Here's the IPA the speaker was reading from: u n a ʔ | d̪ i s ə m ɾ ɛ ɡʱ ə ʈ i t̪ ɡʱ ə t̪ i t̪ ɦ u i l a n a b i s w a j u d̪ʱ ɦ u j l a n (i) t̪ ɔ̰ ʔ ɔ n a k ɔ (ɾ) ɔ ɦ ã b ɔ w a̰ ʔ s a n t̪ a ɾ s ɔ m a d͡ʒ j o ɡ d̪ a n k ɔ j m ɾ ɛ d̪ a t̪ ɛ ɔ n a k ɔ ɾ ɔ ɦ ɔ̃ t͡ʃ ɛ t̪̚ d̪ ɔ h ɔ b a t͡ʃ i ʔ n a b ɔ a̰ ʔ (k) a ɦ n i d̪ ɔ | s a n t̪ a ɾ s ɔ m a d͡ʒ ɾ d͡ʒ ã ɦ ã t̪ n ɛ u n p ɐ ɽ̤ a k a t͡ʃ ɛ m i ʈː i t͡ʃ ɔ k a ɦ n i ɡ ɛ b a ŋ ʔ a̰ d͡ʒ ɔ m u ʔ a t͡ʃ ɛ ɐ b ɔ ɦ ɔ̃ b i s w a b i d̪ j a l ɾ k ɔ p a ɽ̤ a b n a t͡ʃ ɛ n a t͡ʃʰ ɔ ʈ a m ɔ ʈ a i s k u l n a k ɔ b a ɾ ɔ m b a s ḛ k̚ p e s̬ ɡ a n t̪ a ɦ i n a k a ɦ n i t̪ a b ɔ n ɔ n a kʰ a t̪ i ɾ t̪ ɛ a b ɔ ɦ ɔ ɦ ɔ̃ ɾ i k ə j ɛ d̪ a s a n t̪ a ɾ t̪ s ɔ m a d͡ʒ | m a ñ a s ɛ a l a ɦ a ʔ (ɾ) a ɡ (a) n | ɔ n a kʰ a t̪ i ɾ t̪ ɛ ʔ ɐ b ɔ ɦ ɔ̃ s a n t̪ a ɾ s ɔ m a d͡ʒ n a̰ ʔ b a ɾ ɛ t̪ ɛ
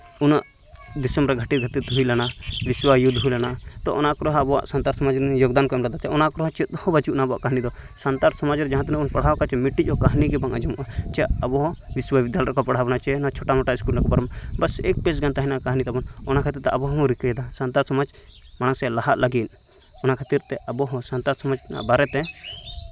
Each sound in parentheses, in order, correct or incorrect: incorrect, correct, correct, incorrect, incorrect

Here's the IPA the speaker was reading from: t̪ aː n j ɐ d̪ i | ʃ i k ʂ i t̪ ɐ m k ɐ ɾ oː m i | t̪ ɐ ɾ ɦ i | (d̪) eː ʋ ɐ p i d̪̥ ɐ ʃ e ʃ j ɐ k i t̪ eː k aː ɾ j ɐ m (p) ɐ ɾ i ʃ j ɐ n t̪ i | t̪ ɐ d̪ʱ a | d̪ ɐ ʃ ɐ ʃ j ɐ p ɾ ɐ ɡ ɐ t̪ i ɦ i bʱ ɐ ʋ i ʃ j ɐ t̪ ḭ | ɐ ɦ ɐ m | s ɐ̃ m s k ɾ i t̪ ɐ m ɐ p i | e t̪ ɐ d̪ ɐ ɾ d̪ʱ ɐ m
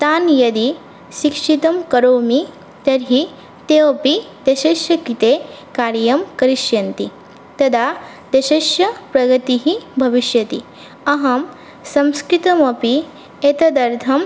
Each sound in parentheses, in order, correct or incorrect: incorrect, incorrect

